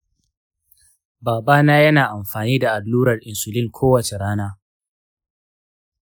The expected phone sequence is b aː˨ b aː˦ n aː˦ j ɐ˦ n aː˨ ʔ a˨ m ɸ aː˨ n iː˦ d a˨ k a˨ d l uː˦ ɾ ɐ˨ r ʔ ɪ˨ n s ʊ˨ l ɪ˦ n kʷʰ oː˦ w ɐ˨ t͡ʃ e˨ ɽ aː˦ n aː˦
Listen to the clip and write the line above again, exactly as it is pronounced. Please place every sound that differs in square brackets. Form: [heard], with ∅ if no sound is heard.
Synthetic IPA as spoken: b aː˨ b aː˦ n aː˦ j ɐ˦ n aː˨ ʔ a˨ m ɸ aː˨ n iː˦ d a˨ [ʔ] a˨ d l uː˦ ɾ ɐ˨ r ʔ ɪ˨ n s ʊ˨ l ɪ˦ [ŋ] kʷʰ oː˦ w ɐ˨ t͡ʃ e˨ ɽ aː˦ n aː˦